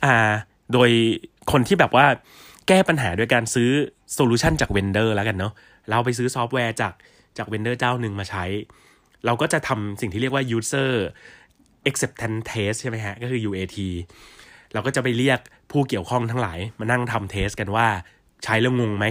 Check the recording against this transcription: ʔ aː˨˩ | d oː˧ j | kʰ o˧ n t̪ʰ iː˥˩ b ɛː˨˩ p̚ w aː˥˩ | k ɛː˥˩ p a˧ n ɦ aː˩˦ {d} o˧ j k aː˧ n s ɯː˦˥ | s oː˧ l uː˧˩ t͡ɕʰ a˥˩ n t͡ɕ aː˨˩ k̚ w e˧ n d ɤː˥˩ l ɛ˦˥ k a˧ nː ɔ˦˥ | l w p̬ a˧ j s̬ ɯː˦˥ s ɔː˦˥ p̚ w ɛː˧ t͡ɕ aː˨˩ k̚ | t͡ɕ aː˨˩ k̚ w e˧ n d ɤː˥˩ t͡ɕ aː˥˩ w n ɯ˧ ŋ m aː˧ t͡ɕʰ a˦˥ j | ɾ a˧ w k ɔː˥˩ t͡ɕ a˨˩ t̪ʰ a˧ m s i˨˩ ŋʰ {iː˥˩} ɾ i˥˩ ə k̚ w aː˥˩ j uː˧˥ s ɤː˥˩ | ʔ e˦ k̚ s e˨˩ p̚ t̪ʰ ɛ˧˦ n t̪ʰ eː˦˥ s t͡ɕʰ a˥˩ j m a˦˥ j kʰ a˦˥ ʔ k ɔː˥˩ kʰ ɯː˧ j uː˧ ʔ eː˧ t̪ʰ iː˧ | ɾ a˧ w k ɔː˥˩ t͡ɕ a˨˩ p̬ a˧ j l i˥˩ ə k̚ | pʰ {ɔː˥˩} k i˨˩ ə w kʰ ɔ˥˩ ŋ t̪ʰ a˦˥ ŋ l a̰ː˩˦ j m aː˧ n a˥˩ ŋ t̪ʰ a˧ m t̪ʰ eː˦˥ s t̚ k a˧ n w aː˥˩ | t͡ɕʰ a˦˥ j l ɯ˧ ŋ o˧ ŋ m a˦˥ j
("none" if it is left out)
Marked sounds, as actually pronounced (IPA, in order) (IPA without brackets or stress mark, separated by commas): d, iː˥, uː˥˩